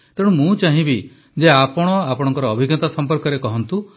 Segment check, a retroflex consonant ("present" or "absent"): present